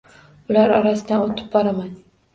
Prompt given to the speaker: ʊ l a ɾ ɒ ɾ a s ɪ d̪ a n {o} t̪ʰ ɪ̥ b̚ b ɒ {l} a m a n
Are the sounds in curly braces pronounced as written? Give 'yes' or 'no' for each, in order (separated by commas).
yes, no